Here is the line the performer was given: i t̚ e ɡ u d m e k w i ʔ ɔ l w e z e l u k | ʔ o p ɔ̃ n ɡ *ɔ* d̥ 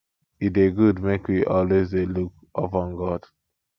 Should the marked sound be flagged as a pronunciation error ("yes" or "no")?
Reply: no